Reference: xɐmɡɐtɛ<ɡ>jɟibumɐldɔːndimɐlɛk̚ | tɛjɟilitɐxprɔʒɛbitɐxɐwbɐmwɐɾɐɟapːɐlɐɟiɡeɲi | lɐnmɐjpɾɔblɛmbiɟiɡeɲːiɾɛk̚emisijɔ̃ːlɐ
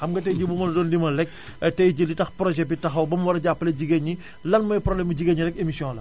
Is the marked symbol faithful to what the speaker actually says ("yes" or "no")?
no